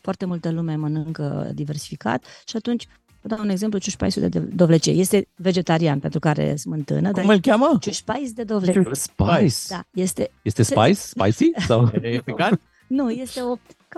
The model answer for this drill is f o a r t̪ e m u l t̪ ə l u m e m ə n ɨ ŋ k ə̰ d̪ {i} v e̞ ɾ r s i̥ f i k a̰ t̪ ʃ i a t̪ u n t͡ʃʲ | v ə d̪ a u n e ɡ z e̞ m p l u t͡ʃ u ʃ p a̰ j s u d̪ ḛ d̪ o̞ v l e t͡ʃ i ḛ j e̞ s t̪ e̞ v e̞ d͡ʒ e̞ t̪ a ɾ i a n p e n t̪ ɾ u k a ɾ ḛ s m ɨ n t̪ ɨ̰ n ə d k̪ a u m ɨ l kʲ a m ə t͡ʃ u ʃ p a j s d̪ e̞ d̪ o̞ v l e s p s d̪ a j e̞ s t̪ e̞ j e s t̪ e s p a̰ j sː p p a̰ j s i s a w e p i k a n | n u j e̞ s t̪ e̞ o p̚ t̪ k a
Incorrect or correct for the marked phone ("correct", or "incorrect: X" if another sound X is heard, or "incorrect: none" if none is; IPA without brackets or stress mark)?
correct